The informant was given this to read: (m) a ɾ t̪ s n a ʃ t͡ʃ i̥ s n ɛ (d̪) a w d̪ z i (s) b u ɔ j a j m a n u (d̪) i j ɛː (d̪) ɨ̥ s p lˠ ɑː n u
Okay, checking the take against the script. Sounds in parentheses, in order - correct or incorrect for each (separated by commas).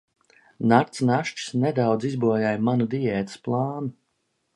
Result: incorrect, correct, incorrect, correct, incorrect